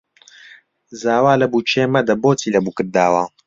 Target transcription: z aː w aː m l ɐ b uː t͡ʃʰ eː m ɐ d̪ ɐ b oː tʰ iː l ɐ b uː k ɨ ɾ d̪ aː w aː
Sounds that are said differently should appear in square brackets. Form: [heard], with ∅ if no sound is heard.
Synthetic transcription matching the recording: z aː w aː [∅] l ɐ b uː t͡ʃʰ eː m ɐ d̪ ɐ b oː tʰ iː l ɐ b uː k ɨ ɾ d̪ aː w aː